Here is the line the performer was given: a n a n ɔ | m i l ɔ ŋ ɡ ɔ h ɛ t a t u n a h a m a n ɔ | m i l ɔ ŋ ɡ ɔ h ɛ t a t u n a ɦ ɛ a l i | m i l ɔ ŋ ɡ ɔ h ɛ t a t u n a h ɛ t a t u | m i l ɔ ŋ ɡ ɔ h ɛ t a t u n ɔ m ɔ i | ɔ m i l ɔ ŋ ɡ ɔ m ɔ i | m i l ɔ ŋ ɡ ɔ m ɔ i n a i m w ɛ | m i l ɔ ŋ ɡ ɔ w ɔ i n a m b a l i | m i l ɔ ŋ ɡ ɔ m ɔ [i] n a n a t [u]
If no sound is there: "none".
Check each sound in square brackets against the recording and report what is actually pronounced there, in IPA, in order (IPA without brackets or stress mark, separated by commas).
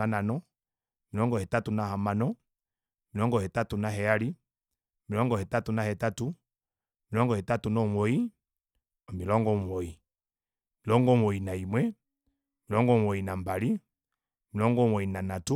i, u